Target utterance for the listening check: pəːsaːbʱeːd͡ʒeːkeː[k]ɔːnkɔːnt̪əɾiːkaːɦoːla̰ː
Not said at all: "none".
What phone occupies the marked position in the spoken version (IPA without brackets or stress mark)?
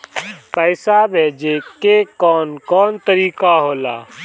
k